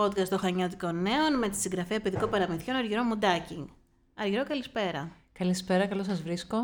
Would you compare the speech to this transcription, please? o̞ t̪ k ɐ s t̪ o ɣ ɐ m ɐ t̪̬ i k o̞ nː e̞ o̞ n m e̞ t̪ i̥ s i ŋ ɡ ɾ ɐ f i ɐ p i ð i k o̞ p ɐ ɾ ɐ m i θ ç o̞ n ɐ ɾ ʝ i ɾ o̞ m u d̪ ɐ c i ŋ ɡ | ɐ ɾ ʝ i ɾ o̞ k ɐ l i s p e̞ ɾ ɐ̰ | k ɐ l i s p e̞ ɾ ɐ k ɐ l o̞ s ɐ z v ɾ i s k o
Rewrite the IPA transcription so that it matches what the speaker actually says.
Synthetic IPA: o̞ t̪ k ɐ s t̪ o x ɐ ɲ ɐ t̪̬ i k o̞ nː e̞ o̞ n m e̞ t̪ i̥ s i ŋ ɡ ɾ ɐ f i ɐ p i ð i k o̞ p ɐ ɾ ɐ m i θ ç o̞ n ɐ ɾ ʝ i ɾ o̞ m u d̪ ɐ c i ŋ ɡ | ɐ ɾ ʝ i ɾ o̞ k ɐ l i s p e̞ ɾ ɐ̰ | k ɐ l i s p e̞ ɾ ɐ k ɐ l o̞ s ɐ z v ɾ i s k o